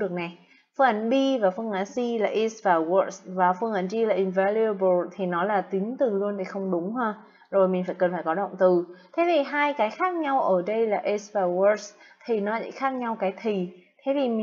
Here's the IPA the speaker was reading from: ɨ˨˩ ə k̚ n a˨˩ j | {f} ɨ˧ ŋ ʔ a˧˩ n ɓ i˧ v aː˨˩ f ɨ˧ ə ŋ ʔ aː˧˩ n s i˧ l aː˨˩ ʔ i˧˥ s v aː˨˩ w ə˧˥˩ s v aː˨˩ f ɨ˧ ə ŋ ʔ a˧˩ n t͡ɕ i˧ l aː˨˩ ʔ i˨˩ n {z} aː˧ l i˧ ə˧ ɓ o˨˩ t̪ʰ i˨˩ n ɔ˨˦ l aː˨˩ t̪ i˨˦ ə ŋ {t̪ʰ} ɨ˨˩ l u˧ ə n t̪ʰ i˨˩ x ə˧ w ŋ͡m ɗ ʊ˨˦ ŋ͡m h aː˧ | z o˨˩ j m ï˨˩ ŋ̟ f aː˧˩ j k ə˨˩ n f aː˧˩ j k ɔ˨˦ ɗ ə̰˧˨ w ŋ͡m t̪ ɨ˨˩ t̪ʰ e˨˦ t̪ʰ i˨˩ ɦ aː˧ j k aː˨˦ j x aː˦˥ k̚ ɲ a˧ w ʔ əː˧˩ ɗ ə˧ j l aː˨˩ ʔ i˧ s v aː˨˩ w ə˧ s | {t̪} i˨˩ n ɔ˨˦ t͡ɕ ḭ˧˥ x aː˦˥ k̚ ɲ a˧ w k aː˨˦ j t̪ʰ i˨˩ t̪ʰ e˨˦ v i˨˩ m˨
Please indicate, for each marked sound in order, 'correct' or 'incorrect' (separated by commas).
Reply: correct, incorrect, incorrect, incorrect